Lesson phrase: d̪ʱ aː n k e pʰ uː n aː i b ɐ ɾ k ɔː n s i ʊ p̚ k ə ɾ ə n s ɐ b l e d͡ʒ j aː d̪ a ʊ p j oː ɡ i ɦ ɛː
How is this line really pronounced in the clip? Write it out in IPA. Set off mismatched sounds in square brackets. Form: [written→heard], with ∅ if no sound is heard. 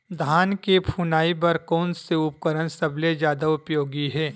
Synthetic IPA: d̪ʱ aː n k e pʰ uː n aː i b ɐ ɾ k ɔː n s [i→e] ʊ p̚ k ə ɾ ə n s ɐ b l e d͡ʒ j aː d̪ a ʊ p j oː ɡ i ɦ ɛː